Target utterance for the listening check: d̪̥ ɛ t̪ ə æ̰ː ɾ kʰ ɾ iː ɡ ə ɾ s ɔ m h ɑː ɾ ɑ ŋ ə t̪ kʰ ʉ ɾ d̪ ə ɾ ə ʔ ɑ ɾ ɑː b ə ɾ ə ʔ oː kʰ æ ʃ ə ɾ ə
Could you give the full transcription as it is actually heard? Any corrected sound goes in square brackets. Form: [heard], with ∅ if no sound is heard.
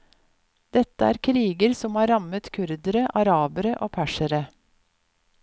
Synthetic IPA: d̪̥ ɛ t̪ ə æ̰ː ɾ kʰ ɾ iː ɡ ə ɾ s ɔ m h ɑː ɾ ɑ [m] ə t̪ kʰ ʉ ɾ d̪ ə ɾ ə ʔ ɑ ɾ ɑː b ə ɾ ə ʔ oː [pʰ] æ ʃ ə ɾ ə